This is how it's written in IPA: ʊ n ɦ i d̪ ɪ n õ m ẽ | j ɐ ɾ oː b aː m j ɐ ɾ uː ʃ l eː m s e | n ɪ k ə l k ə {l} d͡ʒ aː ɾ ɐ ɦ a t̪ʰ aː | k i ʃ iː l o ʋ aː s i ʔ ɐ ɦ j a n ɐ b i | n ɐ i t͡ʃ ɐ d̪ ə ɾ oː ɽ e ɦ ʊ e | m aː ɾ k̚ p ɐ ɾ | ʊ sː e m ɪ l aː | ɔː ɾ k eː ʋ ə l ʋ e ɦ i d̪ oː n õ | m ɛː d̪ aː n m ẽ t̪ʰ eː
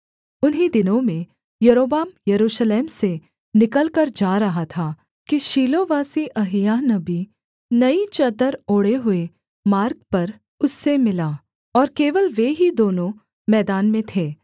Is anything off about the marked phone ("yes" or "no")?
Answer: yes